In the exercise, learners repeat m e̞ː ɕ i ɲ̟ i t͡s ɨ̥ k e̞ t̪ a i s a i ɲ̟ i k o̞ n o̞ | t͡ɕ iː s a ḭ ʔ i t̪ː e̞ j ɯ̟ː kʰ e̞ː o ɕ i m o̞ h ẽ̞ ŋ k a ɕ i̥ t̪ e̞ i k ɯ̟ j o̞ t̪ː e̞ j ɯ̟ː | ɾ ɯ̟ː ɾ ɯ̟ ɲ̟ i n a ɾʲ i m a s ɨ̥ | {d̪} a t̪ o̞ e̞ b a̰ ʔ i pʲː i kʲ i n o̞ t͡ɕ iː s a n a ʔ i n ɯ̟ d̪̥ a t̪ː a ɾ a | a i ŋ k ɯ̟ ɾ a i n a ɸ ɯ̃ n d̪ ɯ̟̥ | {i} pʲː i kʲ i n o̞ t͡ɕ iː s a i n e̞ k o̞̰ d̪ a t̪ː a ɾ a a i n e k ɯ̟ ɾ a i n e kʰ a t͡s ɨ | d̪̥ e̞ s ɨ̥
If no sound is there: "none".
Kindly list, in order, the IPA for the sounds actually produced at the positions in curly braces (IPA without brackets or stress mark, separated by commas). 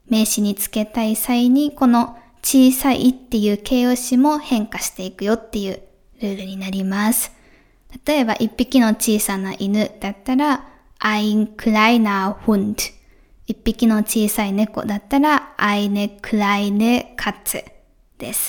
t̪, i